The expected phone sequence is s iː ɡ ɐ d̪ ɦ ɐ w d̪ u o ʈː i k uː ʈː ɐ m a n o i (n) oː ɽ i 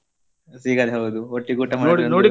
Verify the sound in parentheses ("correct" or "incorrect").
correct